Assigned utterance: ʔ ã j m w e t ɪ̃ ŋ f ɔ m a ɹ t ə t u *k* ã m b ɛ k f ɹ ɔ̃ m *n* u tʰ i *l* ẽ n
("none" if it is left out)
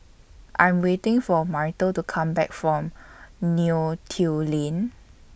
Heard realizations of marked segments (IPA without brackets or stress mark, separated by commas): kʰ, n, l